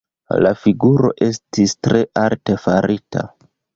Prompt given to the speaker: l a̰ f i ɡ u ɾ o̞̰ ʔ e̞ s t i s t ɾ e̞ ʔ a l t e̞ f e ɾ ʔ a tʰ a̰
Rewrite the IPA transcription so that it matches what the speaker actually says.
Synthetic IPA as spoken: l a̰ f i ɡ u ɾ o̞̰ ʔ e̞ s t i s t ɾ e̞ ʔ a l t e̞ f a ɾ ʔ i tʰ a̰